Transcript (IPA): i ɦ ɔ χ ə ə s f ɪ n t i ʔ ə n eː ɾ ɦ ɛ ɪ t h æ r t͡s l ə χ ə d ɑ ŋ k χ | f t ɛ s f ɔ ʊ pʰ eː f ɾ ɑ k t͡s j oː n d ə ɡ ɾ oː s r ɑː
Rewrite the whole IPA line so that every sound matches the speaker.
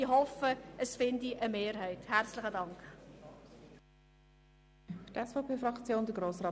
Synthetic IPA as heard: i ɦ ɔ f ə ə s f ɪ n d i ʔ ə m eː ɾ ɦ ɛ ɪ t h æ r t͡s l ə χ ə d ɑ ŋ k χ | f t ɛ s f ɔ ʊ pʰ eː f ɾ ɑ k t͡s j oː n d ə ɡ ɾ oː s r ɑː